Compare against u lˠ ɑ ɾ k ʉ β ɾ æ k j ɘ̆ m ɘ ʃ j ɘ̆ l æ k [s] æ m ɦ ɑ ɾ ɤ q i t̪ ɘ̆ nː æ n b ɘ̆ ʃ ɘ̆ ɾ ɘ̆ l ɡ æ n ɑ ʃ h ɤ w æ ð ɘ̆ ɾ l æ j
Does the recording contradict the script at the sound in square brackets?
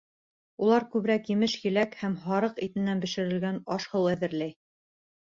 yes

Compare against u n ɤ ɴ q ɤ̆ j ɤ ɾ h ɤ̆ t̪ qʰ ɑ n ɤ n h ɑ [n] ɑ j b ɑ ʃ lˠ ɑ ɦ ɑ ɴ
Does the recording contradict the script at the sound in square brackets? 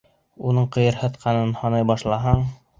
no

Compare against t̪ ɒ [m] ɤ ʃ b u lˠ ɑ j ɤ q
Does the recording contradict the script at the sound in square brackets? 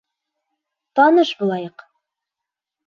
yes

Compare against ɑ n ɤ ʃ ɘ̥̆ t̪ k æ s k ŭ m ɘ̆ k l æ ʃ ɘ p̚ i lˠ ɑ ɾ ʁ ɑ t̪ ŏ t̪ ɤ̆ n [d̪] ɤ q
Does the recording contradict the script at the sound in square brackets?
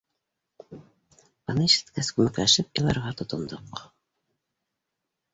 no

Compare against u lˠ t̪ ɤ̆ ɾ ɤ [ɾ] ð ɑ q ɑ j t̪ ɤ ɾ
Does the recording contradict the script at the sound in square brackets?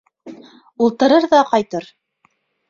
no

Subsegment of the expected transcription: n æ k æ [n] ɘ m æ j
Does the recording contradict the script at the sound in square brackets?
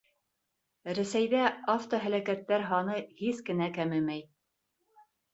yes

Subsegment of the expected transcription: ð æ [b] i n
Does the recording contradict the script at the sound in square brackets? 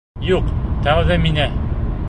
yes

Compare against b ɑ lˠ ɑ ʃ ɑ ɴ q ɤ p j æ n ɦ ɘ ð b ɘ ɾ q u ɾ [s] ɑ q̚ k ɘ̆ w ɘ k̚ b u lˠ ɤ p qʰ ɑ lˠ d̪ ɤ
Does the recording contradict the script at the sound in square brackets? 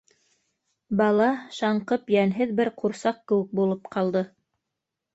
no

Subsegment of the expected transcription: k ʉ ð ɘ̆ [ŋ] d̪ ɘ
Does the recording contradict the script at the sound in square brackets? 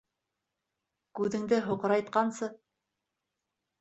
no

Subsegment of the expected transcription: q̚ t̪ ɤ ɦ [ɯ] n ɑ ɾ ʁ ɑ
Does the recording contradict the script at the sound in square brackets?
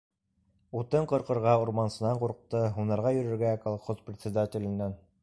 yes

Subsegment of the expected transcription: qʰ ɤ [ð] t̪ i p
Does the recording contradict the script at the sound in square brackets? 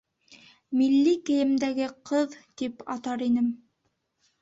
no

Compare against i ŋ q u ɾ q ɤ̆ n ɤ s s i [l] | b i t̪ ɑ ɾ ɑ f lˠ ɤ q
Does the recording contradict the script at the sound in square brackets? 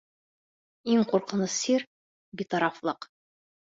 yes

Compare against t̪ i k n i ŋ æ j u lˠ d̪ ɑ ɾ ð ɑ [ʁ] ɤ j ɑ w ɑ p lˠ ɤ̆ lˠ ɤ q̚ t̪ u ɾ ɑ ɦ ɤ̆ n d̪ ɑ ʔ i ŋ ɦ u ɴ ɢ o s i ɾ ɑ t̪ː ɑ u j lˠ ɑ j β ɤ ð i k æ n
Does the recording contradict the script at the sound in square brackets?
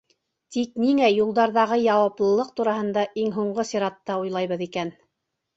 no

